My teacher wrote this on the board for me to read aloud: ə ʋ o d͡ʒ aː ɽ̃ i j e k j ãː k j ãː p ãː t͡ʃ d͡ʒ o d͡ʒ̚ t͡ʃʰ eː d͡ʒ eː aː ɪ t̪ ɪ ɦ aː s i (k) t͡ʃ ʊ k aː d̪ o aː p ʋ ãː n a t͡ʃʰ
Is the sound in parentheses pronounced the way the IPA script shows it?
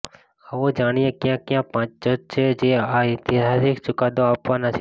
yes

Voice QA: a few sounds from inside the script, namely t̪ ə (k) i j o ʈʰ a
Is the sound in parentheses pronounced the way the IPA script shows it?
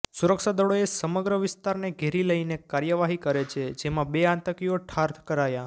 yes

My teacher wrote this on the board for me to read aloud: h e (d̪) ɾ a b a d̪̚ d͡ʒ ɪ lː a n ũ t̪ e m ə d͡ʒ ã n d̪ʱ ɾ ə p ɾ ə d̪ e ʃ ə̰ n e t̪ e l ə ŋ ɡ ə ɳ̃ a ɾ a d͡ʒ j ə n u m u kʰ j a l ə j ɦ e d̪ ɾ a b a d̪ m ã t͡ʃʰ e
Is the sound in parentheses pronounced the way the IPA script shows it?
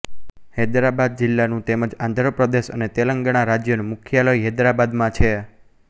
yes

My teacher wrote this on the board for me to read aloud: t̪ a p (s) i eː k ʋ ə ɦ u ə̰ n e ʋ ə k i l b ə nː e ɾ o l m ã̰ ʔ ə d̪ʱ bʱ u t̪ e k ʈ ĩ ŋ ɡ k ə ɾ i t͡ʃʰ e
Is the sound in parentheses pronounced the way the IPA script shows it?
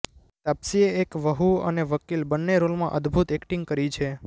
yes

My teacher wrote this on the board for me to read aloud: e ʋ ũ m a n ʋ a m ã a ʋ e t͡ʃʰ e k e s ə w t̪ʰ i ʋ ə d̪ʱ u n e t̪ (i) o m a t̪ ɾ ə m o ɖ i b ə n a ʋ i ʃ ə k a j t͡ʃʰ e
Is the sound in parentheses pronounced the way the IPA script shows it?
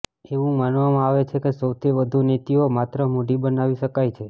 yes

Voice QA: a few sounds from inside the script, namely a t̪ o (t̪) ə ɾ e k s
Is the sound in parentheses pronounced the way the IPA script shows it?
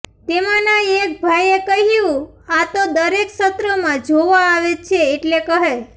no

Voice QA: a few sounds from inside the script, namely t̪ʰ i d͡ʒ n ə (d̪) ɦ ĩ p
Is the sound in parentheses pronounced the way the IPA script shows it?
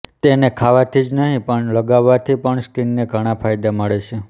no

